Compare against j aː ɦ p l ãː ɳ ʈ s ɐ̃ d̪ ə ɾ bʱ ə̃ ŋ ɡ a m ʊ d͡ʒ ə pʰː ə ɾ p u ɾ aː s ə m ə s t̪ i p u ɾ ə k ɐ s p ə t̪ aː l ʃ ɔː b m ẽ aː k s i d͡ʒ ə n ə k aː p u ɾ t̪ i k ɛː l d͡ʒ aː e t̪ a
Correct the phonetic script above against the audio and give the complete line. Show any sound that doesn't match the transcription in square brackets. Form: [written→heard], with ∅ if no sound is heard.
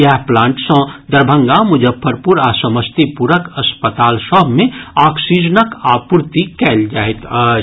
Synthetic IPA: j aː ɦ p l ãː ɳ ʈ s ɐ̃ d̪ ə ɾ bʱ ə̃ ŋ ɡ a m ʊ d͡ʒ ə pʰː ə ɾ p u ɾ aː s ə m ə s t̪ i p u ɾ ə k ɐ s p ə t̪ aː l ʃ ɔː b m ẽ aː k s i d͡ʒ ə n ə k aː p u ɾ t̪ i k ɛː l d͡ʒ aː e t̪ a